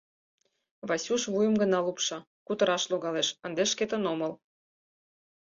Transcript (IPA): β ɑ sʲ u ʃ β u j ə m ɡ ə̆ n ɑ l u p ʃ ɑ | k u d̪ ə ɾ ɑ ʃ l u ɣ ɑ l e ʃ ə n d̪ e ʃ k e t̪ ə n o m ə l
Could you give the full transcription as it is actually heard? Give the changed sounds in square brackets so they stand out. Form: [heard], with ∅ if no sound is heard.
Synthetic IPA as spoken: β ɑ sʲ u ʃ β u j ə m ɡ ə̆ n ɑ l u p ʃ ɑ | k u [t̪] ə ɾ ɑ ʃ l [o] ɣ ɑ l e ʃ ə n d̪ e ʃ k e t̪ ə n o m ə l